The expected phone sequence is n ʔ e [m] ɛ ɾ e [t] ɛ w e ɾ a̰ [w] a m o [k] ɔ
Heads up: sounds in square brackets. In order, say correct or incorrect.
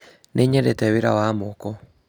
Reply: incorrect, correct, correct, correct

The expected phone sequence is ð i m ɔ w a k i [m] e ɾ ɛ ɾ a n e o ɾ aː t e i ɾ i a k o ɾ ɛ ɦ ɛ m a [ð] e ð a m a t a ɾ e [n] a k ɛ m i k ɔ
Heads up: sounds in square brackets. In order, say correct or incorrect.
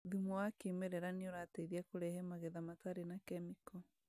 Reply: correct, incorrect, correct

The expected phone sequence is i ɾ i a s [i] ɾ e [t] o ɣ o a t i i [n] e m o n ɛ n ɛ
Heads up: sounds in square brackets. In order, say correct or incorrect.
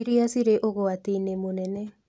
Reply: correct, incorrect, correct

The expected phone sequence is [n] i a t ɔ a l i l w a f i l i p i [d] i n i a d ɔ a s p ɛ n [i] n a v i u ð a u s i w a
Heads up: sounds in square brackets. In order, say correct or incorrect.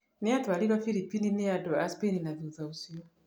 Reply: correct, incorrect, correct

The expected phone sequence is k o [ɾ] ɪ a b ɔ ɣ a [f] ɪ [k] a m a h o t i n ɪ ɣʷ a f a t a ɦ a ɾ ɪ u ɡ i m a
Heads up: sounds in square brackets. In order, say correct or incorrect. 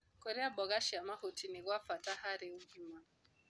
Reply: correct, incorrect, incorrect

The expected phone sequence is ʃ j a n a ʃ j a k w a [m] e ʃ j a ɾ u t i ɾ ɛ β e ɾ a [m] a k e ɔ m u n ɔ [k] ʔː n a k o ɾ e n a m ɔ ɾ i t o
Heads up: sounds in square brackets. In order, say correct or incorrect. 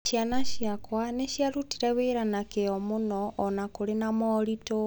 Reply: incorrect, incorrect, incorrect

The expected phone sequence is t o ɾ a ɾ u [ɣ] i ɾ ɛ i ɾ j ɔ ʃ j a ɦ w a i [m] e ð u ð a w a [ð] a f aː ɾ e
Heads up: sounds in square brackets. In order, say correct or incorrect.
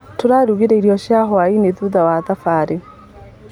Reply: correct, incorrect, correct

